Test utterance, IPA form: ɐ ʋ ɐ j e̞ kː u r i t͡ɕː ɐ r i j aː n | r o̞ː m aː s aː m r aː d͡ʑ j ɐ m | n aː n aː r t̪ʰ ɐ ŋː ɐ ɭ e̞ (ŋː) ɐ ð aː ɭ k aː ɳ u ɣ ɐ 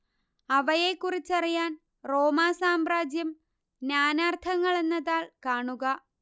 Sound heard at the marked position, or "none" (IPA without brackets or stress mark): nː